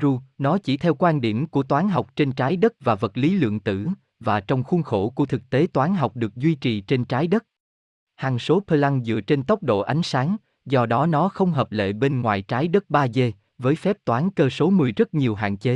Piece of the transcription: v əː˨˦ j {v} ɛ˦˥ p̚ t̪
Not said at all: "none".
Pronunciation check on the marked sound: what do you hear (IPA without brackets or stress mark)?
f